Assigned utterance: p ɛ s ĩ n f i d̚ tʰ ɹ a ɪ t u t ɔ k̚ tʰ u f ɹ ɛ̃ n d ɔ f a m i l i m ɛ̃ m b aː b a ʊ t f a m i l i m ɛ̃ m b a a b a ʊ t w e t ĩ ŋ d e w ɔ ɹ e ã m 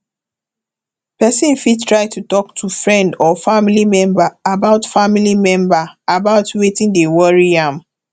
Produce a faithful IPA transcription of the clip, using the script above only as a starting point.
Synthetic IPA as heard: p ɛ s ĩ n f i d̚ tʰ ɹ a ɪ t u t ɔ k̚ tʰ u f ɹ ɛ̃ n d ɔ f a m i l i m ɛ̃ m b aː b a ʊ t f a m i l i m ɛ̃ m b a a b a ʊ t w e t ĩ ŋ d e w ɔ ɹ i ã m